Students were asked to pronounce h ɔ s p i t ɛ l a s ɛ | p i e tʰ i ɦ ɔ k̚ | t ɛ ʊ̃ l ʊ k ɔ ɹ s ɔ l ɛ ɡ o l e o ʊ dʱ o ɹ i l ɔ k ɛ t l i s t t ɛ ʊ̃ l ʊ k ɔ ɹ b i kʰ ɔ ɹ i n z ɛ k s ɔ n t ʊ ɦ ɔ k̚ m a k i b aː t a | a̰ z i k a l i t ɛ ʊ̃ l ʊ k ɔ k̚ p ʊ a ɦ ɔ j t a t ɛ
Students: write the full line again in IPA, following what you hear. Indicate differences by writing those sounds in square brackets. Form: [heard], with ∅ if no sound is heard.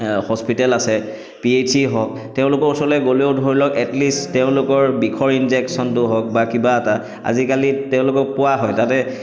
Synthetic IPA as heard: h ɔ s p i t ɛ l a s ɛ | p i e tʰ i ɦ ɔ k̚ | t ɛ ʊ̃ l ʊ k ɔ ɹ s ɔ l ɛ ɡ o l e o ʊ dʱ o ɹ i l ɔ k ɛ t l i s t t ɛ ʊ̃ l ʊ k ɔ ɹ b i kʰ ɔ ɹ i n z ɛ k s ɔ n t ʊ ɦ ɔ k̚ [b] a k i b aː t a | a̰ z i k a l i t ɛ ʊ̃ l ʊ k ɔ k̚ p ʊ a ɦ ɔ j t a t ɛ